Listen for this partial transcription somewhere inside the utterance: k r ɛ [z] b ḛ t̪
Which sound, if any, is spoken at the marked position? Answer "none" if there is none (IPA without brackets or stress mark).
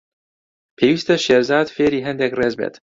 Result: z